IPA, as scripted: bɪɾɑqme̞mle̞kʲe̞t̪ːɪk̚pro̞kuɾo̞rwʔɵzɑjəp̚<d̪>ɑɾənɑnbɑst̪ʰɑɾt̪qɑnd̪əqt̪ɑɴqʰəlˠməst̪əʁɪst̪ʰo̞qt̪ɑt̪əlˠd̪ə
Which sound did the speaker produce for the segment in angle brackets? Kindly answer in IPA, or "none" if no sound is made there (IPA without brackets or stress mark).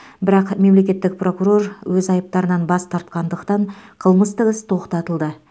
t̪